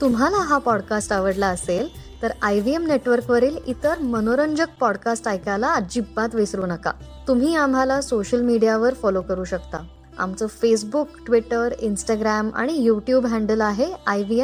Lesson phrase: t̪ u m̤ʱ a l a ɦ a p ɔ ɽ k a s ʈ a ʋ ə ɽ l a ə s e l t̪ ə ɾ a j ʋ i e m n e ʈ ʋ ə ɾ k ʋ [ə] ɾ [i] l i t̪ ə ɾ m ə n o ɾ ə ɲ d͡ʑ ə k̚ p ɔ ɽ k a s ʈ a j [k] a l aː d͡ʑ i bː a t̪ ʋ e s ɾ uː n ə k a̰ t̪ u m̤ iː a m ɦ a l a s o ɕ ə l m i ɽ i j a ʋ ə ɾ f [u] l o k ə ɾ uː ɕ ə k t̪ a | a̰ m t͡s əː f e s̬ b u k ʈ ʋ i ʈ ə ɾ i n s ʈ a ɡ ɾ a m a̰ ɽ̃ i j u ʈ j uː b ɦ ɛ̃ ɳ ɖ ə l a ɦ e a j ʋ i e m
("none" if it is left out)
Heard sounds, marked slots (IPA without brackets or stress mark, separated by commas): ə, iː, k, ɔ